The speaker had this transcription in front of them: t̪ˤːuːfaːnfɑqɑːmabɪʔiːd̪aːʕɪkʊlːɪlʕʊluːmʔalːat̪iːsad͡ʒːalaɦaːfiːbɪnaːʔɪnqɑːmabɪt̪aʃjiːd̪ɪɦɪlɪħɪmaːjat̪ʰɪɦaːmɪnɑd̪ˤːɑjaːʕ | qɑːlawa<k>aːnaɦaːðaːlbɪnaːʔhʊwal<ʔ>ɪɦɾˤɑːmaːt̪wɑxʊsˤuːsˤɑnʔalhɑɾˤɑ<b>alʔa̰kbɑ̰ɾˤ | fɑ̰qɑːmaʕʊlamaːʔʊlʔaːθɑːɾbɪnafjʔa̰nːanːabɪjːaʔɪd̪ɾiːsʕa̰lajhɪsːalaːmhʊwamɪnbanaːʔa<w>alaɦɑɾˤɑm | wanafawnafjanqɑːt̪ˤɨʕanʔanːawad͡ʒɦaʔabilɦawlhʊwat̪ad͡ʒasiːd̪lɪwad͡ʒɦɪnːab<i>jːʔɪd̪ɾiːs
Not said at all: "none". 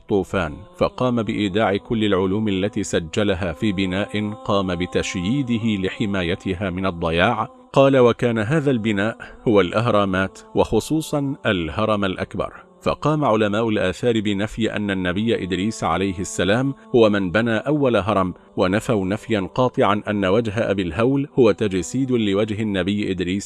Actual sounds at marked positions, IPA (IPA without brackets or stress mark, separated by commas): k, ʔ, m, wː, ɪ